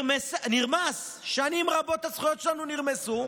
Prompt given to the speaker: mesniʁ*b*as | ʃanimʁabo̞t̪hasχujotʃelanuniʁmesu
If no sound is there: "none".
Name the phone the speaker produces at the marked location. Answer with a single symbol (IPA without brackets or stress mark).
m